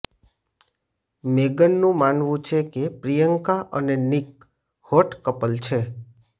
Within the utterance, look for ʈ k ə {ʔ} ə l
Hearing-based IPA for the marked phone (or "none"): p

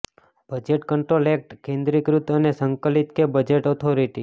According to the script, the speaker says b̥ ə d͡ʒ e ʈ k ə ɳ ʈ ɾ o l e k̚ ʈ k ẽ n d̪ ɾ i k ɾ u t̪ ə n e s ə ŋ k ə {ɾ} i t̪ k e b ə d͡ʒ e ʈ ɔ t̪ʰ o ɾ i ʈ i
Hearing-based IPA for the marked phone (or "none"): l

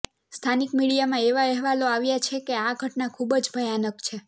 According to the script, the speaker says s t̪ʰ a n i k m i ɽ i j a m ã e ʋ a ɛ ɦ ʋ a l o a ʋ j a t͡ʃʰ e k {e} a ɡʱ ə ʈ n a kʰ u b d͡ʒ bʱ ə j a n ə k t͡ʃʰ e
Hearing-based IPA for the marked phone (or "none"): e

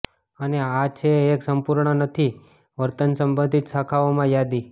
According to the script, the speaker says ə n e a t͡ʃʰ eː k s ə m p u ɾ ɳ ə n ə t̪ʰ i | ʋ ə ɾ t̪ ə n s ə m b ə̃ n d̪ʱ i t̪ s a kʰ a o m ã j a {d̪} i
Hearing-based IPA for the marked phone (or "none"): d̪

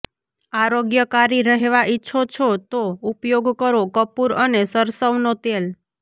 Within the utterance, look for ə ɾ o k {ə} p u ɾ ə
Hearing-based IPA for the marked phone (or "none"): ə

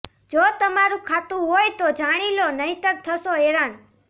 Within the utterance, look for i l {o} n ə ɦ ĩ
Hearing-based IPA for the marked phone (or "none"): o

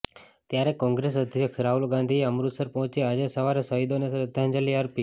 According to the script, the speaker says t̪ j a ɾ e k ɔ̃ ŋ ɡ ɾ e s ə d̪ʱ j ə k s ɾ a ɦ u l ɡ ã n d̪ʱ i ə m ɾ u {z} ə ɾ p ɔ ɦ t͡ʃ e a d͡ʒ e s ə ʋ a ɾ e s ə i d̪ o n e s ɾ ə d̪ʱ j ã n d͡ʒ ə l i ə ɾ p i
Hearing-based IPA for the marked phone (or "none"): s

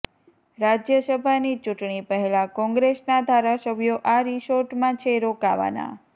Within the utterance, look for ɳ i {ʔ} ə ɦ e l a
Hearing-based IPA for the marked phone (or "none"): p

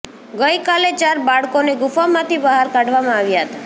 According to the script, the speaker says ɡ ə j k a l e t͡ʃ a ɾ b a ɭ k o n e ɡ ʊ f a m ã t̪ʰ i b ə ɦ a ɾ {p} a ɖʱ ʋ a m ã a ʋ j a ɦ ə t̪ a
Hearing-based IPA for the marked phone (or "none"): k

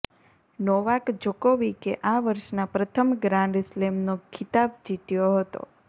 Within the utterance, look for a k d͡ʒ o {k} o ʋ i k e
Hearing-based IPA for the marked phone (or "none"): k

